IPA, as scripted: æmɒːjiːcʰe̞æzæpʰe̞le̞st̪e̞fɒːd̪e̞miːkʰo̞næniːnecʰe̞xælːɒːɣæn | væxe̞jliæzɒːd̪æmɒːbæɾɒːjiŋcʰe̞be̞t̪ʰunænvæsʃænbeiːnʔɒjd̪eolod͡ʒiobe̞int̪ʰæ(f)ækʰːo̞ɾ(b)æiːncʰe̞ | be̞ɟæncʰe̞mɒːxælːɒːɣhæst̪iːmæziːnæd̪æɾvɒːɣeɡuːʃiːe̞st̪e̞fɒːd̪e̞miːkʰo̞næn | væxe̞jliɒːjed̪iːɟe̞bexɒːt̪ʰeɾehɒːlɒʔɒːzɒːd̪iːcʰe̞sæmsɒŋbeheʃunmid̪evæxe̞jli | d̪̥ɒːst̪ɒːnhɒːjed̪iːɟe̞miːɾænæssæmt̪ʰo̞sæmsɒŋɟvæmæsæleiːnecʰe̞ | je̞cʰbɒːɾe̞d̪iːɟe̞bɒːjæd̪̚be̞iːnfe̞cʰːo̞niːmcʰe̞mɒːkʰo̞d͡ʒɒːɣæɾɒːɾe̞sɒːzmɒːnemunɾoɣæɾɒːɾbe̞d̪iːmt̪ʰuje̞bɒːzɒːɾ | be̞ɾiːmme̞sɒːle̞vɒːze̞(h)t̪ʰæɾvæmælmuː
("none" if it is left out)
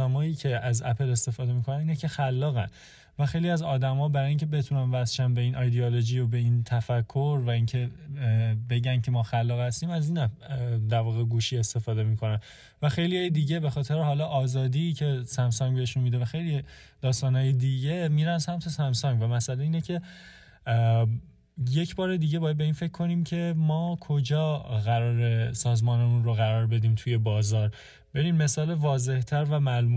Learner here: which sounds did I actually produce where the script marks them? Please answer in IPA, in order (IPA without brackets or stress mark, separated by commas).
f, v, h